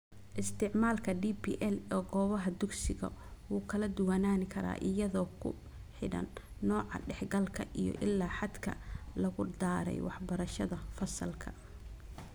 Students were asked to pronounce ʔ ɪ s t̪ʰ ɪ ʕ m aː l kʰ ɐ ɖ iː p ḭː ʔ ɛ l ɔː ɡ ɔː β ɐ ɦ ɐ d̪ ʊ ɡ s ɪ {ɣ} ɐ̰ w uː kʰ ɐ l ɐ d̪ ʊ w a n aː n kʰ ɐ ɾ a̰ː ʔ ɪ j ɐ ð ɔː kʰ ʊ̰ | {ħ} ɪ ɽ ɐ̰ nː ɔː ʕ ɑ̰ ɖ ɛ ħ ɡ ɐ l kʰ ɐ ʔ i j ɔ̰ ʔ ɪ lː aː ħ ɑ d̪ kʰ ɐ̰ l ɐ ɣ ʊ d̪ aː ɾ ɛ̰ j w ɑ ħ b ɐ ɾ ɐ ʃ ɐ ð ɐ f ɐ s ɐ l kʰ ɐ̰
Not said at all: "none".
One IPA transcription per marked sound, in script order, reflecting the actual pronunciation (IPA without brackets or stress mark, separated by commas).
ɣ, ħ